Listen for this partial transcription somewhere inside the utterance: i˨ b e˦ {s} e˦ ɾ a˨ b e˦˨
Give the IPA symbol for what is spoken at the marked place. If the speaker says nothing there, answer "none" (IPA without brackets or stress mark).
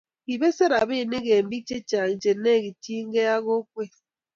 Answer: s